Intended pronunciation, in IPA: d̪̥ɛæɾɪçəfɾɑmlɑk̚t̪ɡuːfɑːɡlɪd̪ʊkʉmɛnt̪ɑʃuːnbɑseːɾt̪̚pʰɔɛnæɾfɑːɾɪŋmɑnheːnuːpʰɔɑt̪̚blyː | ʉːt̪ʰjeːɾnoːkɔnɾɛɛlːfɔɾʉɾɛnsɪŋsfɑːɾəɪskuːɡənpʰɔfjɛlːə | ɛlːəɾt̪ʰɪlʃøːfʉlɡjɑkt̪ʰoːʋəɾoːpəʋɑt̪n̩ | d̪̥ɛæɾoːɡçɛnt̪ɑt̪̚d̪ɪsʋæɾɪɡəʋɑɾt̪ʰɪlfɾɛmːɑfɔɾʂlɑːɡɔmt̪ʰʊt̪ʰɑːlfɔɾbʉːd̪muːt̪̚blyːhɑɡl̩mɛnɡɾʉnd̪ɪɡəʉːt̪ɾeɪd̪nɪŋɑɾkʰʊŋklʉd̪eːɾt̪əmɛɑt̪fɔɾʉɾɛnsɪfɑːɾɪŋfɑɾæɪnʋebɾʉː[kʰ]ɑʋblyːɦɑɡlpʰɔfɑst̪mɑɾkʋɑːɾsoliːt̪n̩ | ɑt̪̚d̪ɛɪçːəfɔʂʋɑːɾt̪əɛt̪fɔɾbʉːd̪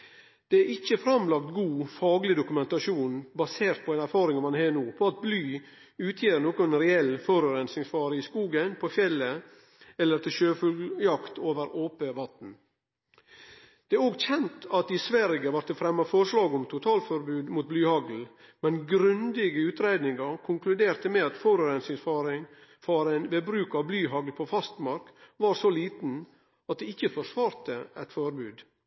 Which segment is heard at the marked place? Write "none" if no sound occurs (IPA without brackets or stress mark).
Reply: k